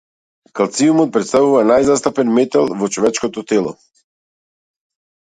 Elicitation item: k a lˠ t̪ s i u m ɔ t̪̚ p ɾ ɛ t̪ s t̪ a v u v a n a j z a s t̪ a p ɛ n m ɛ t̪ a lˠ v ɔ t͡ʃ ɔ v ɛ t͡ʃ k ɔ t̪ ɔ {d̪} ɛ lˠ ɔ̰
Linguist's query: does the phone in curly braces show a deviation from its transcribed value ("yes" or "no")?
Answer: yes